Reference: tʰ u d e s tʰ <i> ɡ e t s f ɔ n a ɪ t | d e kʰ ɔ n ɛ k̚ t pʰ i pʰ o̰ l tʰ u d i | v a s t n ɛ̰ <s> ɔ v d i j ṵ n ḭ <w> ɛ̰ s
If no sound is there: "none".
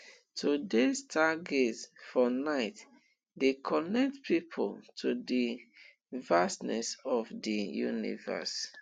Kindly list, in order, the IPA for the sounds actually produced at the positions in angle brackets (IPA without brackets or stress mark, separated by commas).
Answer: a, s, v